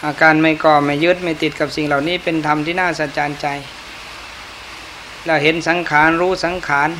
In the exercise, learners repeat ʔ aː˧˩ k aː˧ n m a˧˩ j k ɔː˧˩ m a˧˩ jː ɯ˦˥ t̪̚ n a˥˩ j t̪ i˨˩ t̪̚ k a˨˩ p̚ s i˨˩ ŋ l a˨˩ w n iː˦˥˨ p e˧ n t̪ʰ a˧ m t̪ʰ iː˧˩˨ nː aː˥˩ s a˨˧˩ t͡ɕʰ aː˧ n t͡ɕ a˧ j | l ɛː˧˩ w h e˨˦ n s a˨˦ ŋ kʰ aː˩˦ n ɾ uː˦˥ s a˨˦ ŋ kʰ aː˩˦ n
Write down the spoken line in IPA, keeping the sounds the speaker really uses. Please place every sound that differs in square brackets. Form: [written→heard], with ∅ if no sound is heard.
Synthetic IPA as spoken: ʔ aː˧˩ k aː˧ n m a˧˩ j k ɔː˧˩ m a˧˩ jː ɯ˦˥ t̪̚ [n→m] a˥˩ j t̪ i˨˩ t̪̚ k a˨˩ p̚ s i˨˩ ŋ l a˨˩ w n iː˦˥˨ p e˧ n t̪ʰ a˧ m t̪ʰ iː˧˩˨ [nː→n] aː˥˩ s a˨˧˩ [t͡ɕʰ→t͡ɕ] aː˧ n t͡ɕ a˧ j | l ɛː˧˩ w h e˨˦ n s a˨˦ ŋ kʰ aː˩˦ n ɾ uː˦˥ s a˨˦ ŋ kʰ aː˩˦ n